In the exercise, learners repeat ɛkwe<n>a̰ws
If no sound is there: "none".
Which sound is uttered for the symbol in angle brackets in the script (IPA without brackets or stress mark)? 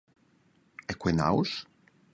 n